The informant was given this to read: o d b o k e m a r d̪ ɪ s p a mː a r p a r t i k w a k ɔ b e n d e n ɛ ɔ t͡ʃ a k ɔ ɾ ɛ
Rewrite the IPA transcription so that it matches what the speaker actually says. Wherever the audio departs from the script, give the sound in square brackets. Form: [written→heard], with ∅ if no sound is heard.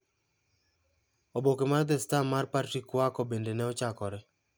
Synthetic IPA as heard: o [d→∅] b o k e m a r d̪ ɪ s [p→t] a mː a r p a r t i k w a k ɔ b e n d e n ɛ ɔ t͡ʃ a k ɔ ɾ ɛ